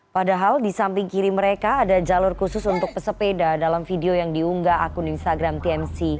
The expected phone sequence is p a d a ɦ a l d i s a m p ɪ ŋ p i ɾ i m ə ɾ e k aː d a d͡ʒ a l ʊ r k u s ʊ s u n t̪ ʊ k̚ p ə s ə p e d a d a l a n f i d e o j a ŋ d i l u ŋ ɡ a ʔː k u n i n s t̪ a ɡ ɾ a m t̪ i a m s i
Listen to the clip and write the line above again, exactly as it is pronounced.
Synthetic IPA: p a d a ɦ a l d i s a m p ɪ ŋ k i ɾ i m ə ɾ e k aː d a d͡ʒ a l ʊ r k u s ʊ s u n t̪ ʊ k̚ p ə s ə p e d a d a l a m f i d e o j a ŋ d i u ŋ ɡ a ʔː k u n i n s t̪ a ɡ ɾ a m t̪ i ɛ m s i